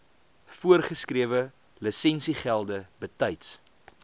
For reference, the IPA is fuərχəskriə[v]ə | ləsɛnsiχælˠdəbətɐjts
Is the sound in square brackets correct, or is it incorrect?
correct